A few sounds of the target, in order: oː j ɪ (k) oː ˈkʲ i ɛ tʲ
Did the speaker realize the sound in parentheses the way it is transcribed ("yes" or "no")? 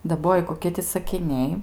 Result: yes